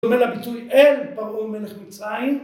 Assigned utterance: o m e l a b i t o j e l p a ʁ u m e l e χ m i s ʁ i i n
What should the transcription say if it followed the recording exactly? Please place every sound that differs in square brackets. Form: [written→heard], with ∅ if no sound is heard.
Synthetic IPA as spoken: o m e l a b i t [o→u] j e l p a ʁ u m e l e χ m i [s→t͡s] ʁ [i→a] i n

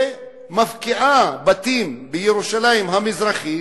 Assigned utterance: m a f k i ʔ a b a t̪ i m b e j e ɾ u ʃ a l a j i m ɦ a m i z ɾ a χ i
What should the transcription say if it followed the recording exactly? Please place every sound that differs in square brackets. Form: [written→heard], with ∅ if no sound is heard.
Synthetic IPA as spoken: m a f k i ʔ a b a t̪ i m b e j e ɾ u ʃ a l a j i m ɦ a m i z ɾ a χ i

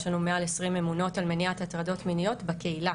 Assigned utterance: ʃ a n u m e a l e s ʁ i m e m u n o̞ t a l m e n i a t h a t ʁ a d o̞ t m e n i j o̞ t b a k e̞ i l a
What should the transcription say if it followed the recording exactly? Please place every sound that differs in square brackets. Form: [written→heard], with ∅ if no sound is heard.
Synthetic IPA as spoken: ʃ a n u m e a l e s ʁ i m e m u n o̞ t a l m e n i a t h a t ʁ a d o̞ t m [e→i] n i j o̞ t b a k e̞ i l a

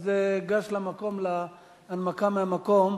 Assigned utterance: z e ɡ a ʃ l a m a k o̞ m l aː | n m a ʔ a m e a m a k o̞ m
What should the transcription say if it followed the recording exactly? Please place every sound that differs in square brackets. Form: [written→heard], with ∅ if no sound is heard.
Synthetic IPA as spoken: z e ɡ a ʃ l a m a k o̞ m l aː | n m a [ʔ→k] a m e a m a k o̞ m

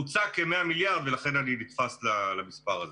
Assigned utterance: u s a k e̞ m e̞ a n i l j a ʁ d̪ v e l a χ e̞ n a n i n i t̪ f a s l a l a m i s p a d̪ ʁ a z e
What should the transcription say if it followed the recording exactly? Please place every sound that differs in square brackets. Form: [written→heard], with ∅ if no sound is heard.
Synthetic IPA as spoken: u [s→t͡s] a k e̞ m e̞ a [n→m] i l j a ʁ d̪ v e l a χ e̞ n a n i n i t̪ f a s l a l a m i s p a [d̪→∅] ʁ a z e

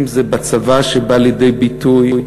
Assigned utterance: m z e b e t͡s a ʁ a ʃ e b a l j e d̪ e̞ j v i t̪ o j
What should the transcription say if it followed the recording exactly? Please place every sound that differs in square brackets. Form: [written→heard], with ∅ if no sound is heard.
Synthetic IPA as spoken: m z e b [e→a] t͡s a [ʁ→v] a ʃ e b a l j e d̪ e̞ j [v→b] i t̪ [o→u] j

